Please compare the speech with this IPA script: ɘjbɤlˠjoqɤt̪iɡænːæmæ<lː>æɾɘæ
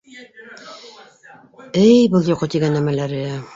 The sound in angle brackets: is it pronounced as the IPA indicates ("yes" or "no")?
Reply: no